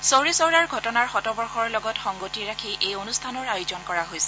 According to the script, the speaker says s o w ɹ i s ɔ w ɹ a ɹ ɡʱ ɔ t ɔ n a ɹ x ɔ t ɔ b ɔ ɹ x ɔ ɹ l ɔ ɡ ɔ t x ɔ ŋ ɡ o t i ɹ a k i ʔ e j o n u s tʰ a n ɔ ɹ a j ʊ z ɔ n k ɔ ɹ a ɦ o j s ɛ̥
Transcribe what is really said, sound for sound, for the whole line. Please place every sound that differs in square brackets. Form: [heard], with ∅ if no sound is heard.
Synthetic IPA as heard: s o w ɹ i s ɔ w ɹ a ɹ ɡʱ ɔ t ɔ n a ɹ x ɔ t ɔ b ɔ ɹ x ɔ ɹ l ɔ ɡ ɔ t x ɔ ŋ ɡ o t i ɹ a [kʰ] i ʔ e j o n u s tʰ a n ɔ ɹ a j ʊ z ɔ n k ɔ ɹ a ɦ o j s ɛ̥